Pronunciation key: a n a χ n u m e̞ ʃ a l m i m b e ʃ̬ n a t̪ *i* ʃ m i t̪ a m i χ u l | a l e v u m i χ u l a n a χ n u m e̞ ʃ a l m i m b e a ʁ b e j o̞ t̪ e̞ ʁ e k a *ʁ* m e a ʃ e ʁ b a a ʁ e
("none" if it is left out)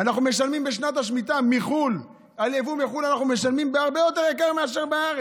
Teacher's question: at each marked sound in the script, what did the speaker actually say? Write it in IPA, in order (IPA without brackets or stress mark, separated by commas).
a, ʁ